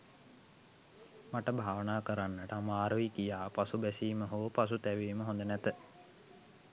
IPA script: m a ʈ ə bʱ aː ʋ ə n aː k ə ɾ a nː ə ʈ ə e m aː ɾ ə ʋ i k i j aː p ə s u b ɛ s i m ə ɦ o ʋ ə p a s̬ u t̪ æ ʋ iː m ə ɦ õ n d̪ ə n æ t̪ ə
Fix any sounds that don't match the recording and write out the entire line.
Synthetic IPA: m a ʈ ə bʱ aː ʋ ə n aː k ə ɾ a nː ə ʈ ə a m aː ɾ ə ʋ i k i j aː p a s u b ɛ s iː m ə ɦ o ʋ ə p a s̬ u t̪ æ ʋ iː m ə ɦ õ n d̪ ə n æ t̪ ə